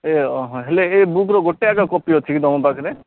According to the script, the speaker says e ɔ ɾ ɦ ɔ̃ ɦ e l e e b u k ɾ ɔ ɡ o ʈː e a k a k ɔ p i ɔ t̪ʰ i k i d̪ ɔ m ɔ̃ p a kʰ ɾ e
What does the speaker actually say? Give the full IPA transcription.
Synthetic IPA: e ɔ ɦ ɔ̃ ɦ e l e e b u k ɾ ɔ ɡ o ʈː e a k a k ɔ p i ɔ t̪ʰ i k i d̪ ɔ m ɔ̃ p a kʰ ɾ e